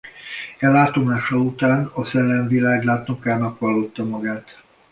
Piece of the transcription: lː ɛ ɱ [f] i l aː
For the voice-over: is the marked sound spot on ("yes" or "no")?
no